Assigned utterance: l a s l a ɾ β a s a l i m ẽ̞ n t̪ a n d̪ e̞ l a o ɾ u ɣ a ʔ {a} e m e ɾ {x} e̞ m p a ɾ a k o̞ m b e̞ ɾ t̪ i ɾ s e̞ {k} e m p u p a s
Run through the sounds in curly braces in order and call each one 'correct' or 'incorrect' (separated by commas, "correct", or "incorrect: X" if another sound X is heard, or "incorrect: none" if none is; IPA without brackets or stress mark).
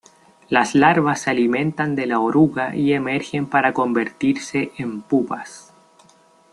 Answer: incorrect: i, correct, incorrect: ʔ